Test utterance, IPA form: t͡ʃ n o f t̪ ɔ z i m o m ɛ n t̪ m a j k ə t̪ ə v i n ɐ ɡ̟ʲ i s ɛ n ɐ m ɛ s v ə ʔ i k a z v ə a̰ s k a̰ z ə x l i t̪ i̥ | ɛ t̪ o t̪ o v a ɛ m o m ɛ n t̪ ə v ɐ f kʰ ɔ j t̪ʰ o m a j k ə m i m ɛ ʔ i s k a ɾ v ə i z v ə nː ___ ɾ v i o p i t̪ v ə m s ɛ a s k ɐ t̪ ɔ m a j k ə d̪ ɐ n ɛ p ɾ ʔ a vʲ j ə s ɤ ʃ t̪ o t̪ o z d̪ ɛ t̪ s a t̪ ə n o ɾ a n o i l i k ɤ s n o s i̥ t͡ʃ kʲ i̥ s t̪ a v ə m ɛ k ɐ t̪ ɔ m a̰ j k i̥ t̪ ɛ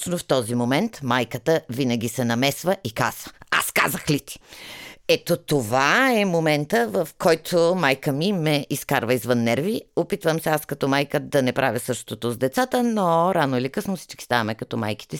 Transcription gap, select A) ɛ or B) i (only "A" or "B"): A